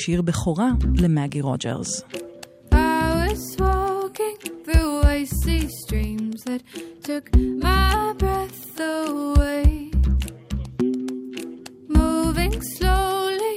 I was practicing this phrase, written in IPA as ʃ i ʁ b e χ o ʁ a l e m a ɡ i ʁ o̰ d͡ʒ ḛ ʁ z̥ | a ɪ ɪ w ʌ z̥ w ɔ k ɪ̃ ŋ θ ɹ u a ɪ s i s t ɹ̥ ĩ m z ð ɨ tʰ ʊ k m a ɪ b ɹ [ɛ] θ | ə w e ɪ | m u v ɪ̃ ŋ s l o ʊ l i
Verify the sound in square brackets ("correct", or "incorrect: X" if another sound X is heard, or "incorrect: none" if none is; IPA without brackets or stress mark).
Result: correct